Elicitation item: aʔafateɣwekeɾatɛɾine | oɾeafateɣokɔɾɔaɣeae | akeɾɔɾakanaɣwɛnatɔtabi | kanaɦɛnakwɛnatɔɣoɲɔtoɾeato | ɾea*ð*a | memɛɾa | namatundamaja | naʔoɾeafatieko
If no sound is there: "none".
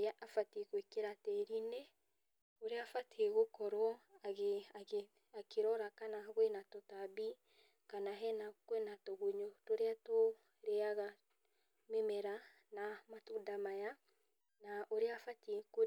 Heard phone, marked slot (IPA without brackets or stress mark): ɣ